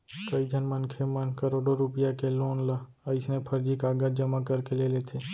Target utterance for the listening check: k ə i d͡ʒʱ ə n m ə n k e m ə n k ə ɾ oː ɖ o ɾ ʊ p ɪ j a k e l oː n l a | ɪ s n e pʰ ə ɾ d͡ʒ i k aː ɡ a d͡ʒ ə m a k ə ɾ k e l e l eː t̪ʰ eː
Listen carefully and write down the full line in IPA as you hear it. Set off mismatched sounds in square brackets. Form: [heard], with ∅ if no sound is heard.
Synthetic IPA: k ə i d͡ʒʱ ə n m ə n [kʰ] e m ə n k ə ɾ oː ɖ o ɾ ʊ p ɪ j a k e l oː n l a | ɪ s n e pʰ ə ɾ d͡ʒ i k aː ɡ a d͡ʒ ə m a k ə ɾ k e l e l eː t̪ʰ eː